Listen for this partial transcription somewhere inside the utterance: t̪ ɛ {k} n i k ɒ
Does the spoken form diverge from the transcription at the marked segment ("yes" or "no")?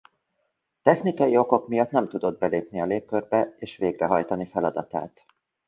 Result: yes